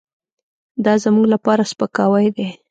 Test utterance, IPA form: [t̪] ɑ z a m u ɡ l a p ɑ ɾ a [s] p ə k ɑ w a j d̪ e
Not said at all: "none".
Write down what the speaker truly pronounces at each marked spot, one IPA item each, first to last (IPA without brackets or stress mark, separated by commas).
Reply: d̪, s